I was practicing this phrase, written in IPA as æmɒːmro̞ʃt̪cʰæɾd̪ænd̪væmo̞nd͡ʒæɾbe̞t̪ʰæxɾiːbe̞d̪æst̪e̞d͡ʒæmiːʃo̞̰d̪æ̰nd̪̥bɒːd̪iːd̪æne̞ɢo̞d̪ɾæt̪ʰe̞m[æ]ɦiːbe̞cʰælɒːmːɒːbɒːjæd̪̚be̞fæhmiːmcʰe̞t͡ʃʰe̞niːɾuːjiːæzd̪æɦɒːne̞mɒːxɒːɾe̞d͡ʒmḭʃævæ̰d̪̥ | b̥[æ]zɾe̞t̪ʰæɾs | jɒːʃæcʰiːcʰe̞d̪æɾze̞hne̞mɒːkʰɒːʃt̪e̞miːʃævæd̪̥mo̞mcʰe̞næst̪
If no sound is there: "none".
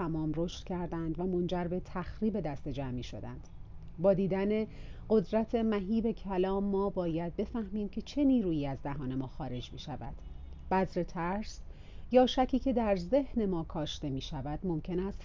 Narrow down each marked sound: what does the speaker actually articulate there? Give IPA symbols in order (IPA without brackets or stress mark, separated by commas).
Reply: æ, æ